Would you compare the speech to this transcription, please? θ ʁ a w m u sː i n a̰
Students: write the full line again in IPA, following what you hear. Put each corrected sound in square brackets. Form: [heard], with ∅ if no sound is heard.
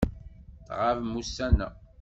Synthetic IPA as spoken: θ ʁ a [v] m u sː [æ] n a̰